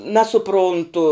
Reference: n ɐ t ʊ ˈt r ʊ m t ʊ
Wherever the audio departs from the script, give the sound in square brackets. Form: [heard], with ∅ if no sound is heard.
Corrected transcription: n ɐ [s] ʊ [ˈp] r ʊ [n] t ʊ